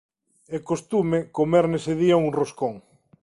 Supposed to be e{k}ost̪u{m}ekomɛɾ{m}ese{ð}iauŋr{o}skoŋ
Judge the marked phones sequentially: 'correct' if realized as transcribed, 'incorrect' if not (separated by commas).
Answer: correct, correct, incorrect, correct, correct